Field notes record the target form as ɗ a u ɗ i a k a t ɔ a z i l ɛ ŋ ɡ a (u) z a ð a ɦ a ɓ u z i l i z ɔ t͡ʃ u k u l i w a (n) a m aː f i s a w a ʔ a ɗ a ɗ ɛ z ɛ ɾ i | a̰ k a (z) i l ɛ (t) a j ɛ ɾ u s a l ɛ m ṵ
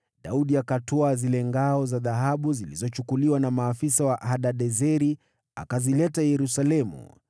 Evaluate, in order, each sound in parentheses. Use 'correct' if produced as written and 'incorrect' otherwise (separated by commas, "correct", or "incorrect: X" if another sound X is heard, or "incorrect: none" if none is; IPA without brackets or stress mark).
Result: incorrect: ɔ, correct, correct, correct